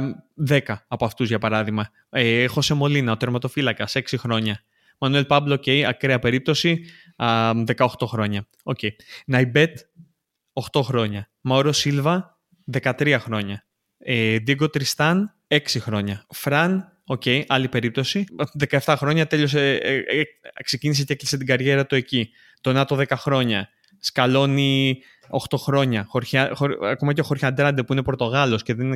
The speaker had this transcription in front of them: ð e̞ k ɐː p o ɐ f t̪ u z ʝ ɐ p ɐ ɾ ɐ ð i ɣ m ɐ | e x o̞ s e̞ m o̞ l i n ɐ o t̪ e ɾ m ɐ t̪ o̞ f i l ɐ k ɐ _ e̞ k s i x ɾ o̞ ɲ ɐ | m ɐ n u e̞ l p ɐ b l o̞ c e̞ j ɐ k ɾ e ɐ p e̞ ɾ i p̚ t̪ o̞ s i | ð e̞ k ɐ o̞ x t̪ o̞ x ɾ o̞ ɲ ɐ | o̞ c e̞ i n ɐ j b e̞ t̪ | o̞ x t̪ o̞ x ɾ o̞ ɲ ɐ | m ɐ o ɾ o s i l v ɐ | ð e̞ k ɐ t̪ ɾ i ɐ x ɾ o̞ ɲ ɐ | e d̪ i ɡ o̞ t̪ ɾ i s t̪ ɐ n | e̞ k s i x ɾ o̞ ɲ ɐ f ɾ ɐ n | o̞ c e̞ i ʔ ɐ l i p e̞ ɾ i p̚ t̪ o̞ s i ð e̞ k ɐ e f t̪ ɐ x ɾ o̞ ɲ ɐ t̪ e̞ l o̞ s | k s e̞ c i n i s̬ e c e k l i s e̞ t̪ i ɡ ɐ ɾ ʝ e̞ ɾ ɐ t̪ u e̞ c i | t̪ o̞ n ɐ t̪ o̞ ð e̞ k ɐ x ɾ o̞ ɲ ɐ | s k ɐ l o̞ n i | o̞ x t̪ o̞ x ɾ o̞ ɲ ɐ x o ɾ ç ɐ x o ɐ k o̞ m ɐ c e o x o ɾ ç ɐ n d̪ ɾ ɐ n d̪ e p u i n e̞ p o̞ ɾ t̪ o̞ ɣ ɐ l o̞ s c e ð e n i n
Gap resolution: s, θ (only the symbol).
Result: s